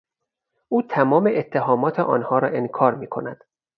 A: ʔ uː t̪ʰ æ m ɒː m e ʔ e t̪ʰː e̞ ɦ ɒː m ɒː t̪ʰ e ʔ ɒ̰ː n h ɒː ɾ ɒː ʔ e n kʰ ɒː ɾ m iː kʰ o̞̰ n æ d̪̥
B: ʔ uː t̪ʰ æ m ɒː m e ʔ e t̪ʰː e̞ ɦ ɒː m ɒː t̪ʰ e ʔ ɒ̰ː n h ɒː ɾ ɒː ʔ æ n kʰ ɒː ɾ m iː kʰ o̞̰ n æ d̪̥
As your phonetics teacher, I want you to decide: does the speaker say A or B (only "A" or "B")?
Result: A